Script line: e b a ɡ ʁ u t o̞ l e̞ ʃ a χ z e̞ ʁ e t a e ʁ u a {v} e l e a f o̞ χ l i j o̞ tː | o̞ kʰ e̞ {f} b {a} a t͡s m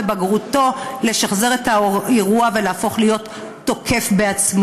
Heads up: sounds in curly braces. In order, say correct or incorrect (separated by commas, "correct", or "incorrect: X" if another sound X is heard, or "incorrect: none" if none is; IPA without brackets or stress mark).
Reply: correct, correct, incorrect: e